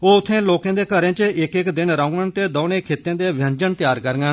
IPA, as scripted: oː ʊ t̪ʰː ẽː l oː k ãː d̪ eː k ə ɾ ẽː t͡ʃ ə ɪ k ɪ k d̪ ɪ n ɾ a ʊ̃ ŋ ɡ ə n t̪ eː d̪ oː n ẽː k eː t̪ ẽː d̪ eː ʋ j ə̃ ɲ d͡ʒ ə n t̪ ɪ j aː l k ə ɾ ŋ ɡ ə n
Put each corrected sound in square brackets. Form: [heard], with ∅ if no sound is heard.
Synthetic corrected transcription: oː ʊ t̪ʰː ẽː l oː k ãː d̪ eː k ə ɾ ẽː t͡ʃ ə ɪ k ɪ k d̪ ɪ n ɾ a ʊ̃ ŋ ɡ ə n t̪ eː d̪ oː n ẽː [kʰ] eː t̪ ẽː d̪ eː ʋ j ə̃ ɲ d͡ʒ ə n t̪ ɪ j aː [ɾ] k ə ɾ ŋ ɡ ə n